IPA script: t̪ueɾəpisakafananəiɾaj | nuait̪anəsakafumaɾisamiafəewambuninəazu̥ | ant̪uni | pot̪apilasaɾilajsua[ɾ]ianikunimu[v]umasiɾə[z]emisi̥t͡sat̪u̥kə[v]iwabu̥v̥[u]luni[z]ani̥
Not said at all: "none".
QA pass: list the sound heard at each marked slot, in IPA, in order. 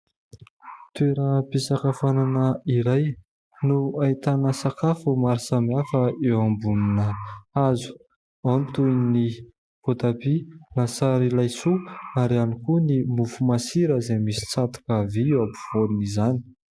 ɾ, f, z, v, o, z

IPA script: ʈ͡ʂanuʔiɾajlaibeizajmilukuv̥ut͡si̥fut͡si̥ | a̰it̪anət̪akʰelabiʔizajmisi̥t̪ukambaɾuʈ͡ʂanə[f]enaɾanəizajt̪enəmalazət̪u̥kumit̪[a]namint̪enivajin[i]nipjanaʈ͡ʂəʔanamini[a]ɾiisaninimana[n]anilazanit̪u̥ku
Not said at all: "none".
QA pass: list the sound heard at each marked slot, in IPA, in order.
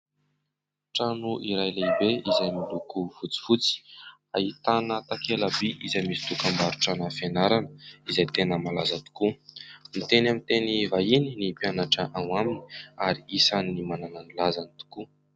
f, e, i, a, n

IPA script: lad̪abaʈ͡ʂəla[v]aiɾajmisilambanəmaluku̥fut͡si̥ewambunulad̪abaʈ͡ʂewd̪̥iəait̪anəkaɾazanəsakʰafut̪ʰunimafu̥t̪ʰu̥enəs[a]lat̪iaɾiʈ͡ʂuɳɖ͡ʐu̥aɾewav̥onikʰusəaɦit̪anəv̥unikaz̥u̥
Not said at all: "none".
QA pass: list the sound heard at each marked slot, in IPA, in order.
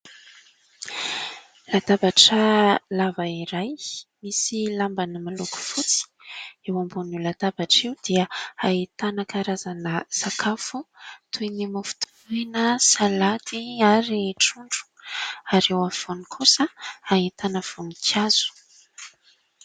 v, a

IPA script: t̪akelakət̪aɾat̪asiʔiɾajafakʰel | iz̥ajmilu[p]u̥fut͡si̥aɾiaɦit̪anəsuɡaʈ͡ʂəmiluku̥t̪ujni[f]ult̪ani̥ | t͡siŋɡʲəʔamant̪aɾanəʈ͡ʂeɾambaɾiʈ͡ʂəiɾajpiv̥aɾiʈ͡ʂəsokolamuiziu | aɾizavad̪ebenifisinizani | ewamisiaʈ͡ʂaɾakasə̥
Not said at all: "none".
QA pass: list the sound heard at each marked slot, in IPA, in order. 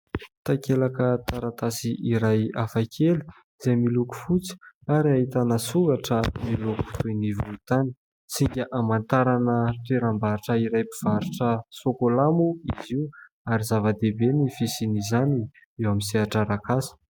k, v

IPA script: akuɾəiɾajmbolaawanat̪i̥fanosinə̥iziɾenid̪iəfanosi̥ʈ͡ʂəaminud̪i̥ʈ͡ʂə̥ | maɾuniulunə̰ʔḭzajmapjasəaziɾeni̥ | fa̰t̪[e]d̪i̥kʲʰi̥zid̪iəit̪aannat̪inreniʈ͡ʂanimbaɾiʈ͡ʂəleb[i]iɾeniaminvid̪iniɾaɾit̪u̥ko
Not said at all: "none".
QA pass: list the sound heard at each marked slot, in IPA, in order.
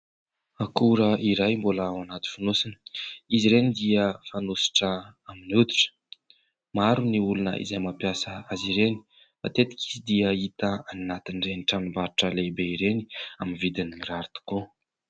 e, e

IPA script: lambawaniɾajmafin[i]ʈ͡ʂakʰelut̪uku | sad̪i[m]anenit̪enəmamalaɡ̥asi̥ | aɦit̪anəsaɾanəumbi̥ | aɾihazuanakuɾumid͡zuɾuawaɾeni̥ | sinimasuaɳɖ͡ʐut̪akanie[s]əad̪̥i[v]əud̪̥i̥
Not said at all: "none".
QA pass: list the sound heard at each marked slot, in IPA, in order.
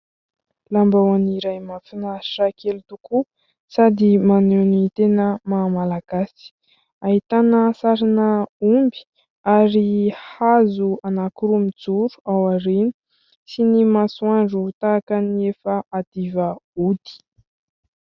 a, m, f, v

